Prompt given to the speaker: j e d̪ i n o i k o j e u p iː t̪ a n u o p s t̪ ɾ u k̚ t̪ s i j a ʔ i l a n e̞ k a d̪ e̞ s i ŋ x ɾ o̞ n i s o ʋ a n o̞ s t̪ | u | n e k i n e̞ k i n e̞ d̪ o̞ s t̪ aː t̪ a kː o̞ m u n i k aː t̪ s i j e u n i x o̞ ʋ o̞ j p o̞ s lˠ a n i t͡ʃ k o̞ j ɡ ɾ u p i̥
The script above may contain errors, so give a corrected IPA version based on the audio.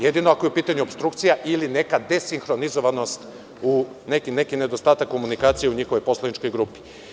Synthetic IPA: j e d̪ i n o a k o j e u p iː t̪ a ɲ u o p s t̪ ɾ u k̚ t̪ s i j a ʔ i l i n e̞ k a d̪ e̞ s i ŋ x ɾ o̞ n i z o ʋ a n o̞ s t̪ | u | n e k i n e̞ k i n e̞ d̪ o̞ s t̪ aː t̪ a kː o̞ m u n i k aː t̪ s i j e u ɲ i x o̞ ʋ o̞ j p o̞ s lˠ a n i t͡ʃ k o̞ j ɡ ɾ u p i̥